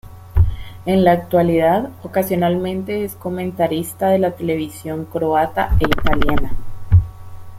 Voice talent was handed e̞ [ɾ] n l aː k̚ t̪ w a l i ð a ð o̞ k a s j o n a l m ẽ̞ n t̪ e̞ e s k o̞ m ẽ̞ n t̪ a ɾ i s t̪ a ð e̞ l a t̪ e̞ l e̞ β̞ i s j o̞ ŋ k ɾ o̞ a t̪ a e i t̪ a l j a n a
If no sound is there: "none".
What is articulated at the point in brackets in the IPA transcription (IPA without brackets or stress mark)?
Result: none